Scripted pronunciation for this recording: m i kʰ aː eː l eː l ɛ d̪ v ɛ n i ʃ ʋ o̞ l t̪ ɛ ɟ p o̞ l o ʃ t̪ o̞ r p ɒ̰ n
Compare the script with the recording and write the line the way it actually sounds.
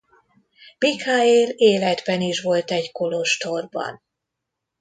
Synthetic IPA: m i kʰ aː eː l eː l ɛ d̪ b ɛ n i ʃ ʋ o̞ l t̪ ɛ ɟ k o̞ l o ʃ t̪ o̞ r b ɒ̰ n